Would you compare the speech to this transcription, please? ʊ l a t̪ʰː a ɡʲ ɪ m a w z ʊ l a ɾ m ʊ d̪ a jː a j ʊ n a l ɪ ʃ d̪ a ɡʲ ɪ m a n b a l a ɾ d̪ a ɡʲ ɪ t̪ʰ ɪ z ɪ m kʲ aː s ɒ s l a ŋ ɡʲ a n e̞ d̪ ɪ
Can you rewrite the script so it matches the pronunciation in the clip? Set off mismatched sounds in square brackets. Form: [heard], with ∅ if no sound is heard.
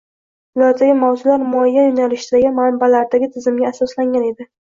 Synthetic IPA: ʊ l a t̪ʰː a ɡʲ ɪ m a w z ʊ l a ɾ m ʊ [∅] a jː a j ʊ n a l ɪ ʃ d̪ a ɡʲ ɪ m a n b a l a ɾ d̪ a ɡʲ ɪ t̪ʰ ɪ z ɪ m [ɡʲ] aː s ɒ s l a ŋ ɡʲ a n e̞ d̪ ɪ